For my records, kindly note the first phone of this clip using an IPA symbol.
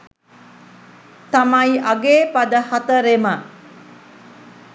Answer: t̪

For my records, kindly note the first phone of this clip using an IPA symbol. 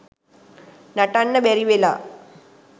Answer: n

